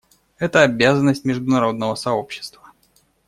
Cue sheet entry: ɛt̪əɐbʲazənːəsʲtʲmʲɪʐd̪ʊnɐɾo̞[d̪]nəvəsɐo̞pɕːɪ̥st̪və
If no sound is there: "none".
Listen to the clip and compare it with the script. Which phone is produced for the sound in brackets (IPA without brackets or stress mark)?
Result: d̪